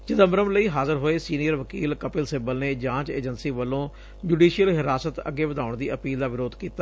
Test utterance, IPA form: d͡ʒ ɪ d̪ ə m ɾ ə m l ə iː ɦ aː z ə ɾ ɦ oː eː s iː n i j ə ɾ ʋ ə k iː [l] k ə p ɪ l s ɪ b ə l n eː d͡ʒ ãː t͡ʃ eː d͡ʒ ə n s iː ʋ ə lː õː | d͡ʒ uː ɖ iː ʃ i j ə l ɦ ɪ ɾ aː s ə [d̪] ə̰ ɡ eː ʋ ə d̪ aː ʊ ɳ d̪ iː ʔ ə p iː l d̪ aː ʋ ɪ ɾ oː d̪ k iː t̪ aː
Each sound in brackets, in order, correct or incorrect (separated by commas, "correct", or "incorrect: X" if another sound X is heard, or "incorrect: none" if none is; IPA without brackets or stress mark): correct, incorrect: t̪